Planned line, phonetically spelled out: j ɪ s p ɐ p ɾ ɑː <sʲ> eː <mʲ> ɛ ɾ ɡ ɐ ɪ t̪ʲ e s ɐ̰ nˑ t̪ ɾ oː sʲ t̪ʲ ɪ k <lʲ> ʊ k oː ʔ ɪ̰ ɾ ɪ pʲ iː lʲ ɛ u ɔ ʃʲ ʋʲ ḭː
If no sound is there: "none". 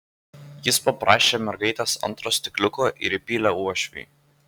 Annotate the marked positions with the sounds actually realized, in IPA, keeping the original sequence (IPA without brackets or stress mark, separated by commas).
ʃʲ, mʲ, lʲ